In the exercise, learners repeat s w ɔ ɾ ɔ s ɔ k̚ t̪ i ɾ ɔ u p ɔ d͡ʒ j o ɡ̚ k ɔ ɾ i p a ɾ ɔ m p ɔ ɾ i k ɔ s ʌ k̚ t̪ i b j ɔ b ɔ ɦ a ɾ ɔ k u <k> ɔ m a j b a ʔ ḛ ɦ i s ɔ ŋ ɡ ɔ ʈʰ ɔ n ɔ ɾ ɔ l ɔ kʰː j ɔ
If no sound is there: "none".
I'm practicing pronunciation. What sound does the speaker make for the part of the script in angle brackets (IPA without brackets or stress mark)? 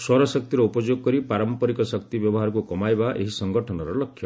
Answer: k